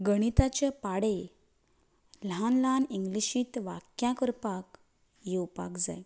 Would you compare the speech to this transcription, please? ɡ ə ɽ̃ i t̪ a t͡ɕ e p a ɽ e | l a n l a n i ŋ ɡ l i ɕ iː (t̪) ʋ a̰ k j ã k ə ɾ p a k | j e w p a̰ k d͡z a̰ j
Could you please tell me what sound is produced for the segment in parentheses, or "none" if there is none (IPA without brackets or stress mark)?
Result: t̪